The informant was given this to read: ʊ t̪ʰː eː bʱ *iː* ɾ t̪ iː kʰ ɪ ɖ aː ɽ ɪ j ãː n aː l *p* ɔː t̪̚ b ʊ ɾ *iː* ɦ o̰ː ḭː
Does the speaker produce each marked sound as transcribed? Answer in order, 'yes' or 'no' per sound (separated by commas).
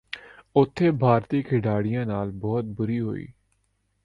no, no, yes